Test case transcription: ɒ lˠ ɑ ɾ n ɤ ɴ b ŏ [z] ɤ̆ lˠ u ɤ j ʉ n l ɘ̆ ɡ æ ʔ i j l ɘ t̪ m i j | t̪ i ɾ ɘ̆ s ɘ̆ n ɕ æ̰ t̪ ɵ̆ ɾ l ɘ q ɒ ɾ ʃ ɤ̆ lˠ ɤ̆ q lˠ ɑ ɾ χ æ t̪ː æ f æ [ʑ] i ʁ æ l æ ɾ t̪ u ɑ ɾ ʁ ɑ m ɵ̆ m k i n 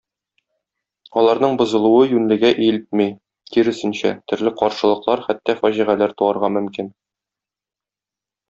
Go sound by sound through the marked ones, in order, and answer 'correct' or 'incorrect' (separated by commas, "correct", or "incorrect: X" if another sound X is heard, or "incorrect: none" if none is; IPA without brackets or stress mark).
correct, correct